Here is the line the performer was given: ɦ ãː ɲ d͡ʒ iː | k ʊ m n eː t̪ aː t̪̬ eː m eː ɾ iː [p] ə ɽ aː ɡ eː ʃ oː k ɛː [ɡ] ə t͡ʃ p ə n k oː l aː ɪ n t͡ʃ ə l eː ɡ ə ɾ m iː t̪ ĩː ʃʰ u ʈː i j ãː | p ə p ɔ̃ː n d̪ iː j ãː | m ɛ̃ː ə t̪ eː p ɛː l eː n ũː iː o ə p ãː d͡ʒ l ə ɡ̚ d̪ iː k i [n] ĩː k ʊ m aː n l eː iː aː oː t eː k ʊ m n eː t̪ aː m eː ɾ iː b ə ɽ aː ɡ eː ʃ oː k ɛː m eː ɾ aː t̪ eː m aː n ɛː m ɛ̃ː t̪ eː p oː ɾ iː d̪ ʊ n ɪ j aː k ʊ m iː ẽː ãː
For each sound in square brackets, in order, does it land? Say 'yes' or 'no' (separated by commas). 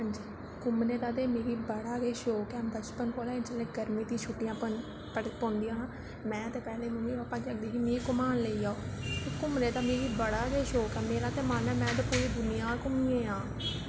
no, no, no